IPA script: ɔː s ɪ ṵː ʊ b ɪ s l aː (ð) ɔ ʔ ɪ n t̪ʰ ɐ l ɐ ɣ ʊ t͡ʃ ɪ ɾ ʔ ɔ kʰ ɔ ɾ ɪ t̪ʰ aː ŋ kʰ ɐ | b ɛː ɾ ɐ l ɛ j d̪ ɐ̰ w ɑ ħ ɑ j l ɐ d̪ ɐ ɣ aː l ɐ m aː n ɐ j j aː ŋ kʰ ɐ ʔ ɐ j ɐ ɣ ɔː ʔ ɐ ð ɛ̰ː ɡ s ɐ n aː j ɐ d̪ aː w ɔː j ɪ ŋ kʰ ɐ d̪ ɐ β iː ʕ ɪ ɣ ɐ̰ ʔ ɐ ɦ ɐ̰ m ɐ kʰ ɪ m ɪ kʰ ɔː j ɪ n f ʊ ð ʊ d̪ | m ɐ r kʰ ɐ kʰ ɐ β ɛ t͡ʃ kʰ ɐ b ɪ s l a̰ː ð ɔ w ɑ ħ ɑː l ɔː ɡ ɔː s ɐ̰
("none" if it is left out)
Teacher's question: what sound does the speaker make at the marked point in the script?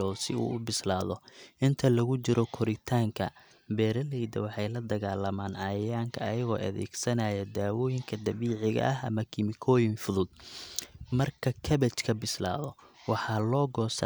ð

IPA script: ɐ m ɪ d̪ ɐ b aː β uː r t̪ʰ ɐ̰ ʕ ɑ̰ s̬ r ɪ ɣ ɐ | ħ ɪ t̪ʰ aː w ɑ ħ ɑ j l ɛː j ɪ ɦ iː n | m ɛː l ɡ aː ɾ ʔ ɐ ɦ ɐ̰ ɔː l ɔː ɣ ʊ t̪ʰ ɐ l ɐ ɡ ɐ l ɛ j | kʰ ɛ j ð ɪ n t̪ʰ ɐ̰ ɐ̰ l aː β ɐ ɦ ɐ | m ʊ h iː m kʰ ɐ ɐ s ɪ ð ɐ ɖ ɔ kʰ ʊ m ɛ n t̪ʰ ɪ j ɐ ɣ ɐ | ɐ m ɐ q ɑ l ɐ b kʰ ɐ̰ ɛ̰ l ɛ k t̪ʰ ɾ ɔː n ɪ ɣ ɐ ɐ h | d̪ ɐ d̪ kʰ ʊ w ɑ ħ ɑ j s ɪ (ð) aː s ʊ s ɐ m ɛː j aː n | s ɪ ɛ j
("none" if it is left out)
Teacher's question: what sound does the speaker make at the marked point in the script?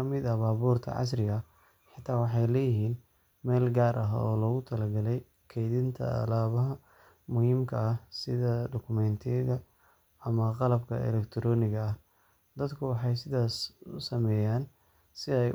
ð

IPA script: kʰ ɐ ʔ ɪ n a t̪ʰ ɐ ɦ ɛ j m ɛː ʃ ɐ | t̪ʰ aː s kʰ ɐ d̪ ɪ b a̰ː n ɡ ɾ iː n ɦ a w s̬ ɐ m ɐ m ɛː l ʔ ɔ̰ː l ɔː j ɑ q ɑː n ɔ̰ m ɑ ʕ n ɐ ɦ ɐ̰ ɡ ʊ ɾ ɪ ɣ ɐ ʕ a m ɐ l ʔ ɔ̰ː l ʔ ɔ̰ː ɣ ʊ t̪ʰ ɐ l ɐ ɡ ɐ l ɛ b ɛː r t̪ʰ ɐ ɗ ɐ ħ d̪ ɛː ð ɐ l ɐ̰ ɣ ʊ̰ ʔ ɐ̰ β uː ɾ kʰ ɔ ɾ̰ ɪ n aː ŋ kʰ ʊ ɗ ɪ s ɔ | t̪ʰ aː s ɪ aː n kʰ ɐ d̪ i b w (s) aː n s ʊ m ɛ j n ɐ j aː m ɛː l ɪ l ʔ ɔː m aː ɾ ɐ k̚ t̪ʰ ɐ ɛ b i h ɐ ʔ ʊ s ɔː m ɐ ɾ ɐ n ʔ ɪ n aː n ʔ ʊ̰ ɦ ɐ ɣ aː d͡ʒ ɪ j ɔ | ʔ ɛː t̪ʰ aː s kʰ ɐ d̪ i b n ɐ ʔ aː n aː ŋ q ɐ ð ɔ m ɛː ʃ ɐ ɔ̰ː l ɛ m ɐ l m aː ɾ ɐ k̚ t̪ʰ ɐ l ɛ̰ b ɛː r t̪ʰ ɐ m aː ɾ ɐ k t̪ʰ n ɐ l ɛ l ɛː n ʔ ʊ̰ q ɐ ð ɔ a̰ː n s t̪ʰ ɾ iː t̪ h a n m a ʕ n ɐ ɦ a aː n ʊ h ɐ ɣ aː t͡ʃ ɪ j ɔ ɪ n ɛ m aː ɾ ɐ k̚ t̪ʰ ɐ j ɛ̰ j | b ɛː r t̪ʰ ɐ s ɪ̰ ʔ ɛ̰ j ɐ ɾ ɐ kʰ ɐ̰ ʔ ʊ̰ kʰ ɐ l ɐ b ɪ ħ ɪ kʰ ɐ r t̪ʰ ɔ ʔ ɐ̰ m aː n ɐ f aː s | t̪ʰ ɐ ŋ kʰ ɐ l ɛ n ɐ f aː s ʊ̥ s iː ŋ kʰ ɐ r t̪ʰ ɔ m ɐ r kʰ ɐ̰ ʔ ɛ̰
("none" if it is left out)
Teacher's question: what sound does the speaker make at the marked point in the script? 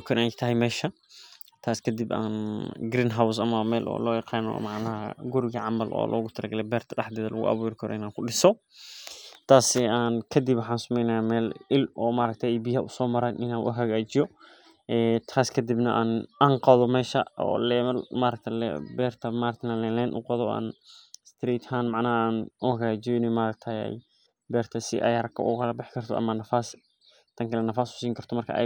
ħ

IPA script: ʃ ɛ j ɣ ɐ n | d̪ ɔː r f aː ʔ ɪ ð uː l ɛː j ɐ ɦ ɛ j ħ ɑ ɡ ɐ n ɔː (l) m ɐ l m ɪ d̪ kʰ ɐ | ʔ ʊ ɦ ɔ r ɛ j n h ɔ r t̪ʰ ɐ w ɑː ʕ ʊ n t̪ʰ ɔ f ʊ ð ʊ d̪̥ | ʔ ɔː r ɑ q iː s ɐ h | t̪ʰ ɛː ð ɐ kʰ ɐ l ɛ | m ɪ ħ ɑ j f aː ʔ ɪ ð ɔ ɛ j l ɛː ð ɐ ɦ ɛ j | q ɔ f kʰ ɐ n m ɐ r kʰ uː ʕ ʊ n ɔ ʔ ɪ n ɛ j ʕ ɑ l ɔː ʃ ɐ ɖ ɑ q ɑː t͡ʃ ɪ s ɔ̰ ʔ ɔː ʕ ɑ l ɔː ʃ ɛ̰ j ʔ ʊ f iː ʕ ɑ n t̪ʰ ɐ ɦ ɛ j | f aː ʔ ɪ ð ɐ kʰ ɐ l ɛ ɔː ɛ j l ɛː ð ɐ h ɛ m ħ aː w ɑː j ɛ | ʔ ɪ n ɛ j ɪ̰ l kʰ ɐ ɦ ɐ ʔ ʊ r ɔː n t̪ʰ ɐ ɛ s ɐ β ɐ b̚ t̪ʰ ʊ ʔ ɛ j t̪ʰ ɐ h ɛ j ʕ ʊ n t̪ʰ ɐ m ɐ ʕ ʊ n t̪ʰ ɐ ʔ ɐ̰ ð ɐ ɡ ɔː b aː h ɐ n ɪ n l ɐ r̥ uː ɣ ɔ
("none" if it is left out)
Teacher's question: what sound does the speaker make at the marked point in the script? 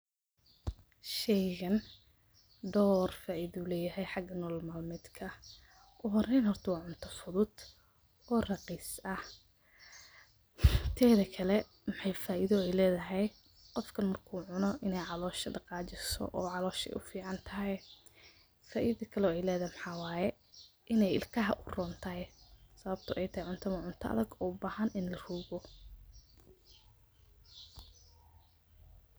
l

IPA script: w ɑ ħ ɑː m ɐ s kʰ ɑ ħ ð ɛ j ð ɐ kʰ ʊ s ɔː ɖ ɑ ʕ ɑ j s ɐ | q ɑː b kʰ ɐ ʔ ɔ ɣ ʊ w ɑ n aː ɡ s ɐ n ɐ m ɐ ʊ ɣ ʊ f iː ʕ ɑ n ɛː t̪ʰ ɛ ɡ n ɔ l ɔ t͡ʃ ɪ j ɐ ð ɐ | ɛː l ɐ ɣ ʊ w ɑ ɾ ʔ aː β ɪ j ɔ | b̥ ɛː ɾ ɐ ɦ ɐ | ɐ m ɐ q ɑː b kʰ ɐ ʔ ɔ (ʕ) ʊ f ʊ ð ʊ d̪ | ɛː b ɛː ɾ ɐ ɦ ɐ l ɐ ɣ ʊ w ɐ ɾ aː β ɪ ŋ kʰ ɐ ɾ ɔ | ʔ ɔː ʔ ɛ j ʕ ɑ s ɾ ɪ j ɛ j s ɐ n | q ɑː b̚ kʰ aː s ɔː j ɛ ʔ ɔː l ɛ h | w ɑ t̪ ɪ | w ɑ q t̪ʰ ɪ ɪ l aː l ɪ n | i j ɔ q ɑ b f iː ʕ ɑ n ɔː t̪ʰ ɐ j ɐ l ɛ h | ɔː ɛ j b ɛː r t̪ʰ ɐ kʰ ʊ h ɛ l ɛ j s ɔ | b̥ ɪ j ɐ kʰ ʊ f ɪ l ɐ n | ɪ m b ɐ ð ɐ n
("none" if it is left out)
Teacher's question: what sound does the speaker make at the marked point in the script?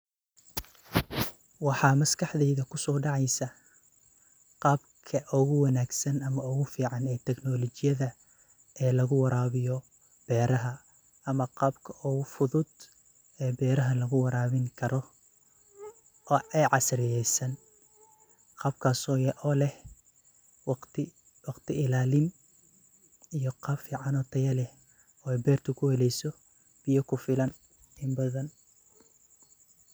ɣ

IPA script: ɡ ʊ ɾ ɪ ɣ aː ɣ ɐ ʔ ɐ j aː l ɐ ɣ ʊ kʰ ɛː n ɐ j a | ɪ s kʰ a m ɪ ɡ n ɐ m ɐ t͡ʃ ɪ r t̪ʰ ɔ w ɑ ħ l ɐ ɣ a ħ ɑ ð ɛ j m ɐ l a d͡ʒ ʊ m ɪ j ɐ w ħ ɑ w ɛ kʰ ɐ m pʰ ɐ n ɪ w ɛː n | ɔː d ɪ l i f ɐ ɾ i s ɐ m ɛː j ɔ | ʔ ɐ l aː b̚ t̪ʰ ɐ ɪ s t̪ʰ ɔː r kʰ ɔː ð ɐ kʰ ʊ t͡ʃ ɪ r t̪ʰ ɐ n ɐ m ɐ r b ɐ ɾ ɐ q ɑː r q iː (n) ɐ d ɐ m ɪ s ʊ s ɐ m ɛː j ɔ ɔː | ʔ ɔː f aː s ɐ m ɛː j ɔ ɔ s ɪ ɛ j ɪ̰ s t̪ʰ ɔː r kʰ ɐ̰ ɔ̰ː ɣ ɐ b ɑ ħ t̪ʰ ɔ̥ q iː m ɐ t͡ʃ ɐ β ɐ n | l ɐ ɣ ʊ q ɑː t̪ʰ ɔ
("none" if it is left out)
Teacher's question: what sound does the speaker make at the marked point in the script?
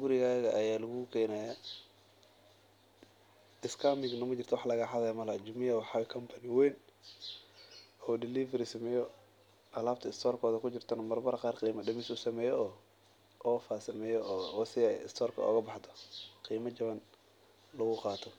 m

